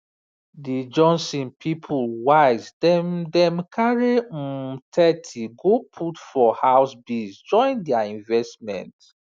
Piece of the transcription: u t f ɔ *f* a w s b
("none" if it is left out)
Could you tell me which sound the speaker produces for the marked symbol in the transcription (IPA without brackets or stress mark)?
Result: h